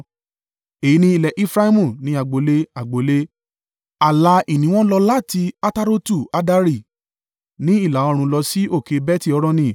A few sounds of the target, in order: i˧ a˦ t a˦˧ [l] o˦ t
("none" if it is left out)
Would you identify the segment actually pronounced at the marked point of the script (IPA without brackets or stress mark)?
ɾ